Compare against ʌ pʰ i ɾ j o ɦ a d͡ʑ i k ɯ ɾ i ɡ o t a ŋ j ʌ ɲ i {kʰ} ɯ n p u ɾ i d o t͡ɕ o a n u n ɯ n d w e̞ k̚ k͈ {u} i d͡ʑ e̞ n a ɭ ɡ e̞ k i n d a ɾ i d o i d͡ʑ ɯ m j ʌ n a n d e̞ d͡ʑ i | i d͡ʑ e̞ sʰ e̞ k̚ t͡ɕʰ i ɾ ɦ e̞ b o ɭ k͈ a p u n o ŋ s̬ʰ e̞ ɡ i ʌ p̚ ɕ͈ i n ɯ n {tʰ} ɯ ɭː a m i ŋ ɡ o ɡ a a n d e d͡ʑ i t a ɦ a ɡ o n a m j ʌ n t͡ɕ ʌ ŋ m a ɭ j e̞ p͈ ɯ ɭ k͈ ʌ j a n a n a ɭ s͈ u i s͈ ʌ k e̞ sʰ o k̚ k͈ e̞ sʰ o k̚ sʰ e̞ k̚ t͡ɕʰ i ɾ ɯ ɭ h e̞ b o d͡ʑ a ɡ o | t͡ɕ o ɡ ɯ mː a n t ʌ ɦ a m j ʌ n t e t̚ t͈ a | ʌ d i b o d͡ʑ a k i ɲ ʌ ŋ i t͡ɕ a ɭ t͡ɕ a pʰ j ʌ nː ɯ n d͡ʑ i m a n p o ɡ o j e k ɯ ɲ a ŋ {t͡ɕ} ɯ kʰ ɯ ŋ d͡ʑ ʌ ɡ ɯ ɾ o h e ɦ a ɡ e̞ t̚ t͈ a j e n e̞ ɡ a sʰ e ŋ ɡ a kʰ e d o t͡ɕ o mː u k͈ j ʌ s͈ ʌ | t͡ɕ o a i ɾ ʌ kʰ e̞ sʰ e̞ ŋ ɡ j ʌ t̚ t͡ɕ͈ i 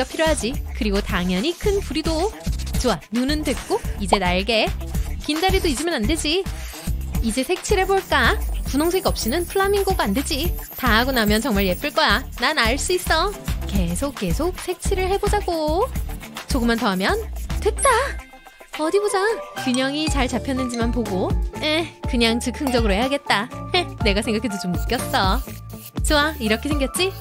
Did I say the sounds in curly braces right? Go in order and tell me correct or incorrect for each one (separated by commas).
correct, incorrect, incorrect, correct